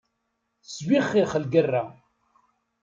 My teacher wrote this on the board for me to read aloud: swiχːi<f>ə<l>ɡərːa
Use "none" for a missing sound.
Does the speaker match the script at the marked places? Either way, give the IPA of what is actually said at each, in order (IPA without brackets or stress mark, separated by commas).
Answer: χ, l